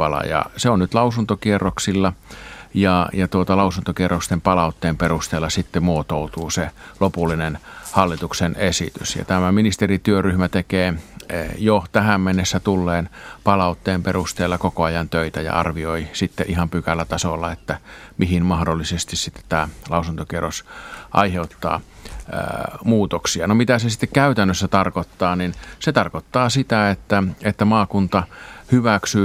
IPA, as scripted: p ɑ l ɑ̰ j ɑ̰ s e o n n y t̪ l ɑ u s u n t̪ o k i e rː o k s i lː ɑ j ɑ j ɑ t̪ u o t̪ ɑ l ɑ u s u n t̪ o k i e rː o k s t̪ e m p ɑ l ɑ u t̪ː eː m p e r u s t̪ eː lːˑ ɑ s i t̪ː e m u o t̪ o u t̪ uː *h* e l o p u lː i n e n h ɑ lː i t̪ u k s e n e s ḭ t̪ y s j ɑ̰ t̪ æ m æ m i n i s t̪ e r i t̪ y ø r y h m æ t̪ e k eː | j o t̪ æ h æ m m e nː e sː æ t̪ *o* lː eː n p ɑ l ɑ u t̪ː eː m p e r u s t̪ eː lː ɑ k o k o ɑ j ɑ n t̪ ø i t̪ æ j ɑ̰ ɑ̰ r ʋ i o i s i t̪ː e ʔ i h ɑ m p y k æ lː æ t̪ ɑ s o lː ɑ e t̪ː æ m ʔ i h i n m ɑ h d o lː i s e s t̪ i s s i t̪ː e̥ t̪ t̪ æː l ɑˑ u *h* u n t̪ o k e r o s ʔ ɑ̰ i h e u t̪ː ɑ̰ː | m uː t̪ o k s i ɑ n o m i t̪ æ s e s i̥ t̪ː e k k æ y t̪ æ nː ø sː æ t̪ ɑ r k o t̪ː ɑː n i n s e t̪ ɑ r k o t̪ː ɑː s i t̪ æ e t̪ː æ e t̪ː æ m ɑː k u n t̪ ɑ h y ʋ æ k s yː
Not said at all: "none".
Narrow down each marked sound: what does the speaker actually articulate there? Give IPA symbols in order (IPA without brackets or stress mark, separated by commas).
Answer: s, u, s